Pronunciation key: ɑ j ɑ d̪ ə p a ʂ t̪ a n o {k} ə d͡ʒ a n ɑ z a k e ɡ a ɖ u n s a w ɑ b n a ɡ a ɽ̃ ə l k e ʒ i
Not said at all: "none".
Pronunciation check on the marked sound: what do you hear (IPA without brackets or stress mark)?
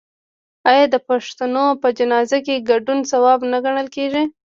p